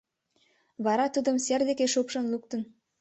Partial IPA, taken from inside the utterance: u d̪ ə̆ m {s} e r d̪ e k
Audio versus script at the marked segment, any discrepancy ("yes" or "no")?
no